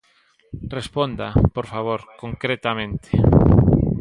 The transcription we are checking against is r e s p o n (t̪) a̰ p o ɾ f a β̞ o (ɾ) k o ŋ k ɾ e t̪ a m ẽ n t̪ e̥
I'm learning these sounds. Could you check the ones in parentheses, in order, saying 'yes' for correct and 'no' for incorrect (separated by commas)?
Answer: no, yes